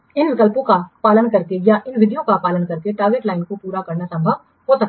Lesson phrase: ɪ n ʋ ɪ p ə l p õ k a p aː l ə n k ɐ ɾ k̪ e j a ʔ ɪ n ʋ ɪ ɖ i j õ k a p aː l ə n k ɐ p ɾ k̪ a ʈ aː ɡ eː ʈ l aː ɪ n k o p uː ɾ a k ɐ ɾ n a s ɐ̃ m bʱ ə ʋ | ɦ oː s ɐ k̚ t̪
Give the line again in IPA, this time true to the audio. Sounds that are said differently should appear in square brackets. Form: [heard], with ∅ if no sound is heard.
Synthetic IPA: ɪ n ʋ ɪ [k] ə l p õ k a p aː l ə n k ɐ ɾ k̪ e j a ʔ ɪ n ʋ ɪ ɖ i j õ k a p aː l ə n k ɐ [∅] ɾ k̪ [e] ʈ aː ɡ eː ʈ l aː ɪ n k o p uː ɾ a k ɐ ɾ n a s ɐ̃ m bʱ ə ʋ | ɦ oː s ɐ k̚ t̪